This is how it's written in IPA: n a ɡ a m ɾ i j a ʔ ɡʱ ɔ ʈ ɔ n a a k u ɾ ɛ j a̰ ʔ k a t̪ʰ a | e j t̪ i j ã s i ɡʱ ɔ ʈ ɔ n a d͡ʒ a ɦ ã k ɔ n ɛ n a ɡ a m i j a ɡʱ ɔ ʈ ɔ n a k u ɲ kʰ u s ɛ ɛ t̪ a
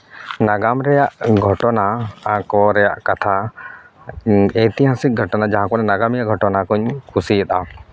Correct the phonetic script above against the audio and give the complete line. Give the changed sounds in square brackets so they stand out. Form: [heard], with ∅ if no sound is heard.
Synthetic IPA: n a ɡ a m ɾ [ɛ] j a ʔ ɡʱ ɔ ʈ ɔ n a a k [ɔ] ɾ ɛ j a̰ ʔ k a t̪ʰ a | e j t̪ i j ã s i ɡʱ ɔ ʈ ɔ n a d͡ʒ a ɦ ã k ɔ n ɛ n a ɡ a m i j a ɡʱ ɔ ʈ ɔ n a k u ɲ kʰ u s [i] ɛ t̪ a